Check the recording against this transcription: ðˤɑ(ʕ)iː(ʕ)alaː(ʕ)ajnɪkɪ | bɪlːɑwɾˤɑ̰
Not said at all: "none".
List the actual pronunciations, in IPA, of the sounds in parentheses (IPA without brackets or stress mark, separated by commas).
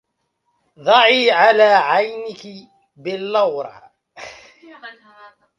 ʕ, ʕ, ʕ